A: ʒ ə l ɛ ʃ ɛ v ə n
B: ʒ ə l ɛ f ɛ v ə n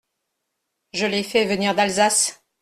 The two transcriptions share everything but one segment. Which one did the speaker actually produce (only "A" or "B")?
B